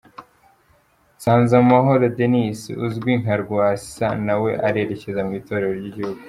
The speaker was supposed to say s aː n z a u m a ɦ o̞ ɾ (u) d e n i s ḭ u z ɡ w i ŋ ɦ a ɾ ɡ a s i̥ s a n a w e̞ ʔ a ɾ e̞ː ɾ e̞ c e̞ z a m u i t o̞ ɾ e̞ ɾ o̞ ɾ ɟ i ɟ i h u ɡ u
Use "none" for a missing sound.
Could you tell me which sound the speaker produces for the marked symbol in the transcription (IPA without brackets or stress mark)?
o